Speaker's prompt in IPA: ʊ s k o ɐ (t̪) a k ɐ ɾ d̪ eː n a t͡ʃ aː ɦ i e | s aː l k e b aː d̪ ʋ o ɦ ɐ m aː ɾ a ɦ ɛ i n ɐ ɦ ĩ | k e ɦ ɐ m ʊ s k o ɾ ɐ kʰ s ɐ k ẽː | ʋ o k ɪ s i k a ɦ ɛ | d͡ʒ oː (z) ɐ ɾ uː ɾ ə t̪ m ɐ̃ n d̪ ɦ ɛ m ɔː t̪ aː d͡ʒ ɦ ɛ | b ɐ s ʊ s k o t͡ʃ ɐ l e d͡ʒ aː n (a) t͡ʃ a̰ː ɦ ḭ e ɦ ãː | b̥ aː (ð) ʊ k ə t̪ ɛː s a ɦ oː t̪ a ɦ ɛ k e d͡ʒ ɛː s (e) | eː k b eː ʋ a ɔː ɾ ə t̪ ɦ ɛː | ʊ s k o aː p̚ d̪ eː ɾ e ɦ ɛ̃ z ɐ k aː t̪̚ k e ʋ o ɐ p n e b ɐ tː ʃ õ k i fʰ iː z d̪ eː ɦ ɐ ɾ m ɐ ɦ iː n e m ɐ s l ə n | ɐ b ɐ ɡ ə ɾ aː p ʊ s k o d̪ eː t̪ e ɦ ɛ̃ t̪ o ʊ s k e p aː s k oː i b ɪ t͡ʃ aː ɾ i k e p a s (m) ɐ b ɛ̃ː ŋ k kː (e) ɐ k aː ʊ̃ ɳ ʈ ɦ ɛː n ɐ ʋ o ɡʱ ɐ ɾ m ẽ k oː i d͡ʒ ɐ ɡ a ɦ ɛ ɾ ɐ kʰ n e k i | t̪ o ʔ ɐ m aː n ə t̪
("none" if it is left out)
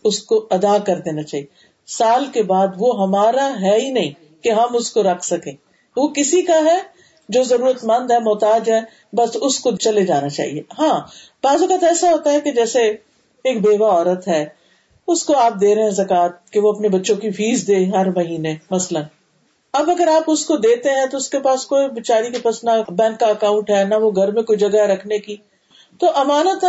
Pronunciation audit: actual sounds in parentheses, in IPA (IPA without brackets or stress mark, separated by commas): d̪, z, a, z, e, n, a